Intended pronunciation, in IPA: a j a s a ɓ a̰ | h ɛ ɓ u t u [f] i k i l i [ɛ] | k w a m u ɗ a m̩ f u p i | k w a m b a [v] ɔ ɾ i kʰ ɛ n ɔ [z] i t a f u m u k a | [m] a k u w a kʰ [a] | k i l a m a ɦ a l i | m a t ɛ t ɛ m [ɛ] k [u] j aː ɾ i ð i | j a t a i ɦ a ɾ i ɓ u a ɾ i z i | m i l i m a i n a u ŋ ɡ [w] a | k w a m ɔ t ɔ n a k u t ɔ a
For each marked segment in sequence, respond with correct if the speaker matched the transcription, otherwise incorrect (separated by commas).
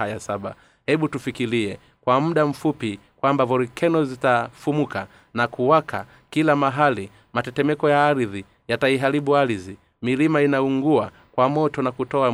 correct, correct, correct, correct, incorrect, correct, correct, incorrect, incorrect